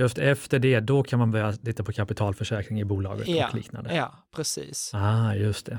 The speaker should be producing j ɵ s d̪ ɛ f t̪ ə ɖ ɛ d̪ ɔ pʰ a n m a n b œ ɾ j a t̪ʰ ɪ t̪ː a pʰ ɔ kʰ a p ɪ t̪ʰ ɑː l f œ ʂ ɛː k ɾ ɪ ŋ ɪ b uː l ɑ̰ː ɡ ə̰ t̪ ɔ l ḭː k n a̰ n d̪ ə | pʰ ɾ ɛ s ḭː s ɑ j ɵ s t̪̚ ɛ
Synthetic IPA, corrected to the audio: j ɵ s t̪ ɛ f t̪ ə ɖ ɛ d̪ ɔ kʰ a n m a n b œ ɾ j a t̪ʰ ɪ t̪ː a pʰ ɔ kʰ a p ɪ t̪ʰ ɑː l f œ ʂ ɛː k ɾ ɪ ŋ ɪ b uː l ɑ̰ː ɡ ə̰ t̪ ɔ l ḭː k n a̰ n d̪ ə | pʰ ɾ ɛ s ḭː s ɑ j ɵ s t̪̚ ɛ